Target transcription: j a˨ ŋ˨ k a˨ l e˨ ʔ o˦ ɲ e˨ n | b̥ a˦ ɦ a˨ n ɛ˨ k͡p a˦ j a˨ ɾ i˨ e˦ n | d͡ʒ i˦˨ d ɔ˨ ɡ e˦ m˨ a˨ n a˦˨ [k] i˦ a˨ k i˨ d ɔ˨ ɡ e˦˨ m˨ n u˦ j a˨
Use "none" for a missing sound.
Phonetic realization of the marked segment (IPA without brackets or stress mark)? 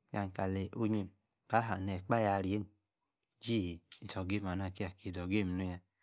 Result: k